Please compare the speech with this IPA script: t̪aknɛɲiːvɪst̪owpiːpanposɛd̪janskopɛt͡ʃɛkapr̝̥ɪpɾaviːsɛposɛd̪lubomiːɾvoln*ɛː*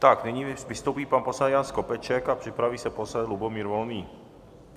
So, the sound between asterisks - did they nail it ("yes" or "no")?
no